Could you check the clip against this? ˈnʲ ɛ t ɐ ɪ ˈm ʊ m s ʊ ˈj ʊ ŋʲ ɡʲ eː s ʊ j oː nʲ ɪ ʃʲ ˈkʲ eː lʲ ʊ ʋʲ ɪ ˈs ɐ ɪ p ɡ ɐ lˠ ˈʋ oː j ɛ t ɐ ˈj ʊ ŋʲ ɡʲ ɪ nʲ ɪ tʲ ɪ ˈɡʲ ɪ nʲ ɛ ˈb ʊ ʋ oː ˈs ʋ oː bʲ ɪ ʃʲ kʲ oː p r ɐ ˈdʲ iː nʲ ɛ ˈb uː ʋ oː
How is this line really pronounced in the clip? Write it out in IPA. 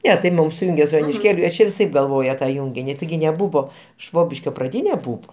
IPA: ˈnʲ ɛ t ɐ ɪ ˈm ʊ m s ʊ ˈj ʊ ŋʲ ɡʲ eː s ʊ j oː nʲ ɪ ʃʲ ˈkʲ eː lʲ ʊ ʋʲ ɪ ˈs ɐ ɪ p ɡ ɐ lˠ ˈʋ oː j ɛ t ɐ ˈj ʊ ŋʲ ɡʲ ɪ nʲ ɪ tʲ ɪ ˈɡʲ ɪ nʲ ɛ ˈb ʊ ʋ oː ˈʃ ʋ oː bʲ ɪ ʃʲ kʲ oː p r ɐ ˈdʲ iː nʲ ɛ ˈb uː ʋ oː

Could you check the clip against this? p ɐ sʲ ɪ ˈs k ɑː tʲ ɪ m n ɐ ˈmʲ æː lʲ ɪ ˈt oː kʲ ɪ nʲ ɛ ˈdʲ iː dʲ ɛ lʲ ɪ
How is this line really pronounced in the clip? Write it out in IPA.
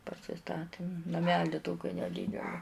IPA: p ɐ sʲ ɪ ˈs t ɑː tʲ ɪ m n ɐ ˈmʲ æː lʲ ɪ ˈt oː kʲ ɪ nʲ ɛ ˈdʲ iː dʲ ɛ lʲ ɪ

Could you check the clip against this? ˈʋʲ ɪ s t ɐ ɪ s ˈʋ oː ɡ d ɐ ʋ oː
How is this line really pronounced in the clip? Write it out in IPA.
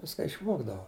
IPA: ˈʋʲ ɪ s k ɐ ɪ ʃ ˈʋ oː ɡ d ɐ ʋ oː

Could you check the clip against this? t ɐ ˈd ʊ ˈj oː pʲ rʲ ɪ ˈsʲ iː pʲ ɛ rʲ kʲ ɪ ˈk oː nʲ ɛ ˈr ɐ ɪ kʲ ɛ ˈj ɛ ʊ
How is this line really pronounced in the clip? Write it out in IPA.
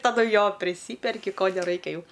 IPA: t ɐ ˈd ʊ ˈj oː pʲ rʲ ɪ ˈsʲ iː pʲ ɛ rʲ kʲ ɪ ˈk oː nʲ ɛ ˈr ɐ ɪ kʲ ɛ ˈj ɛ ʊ

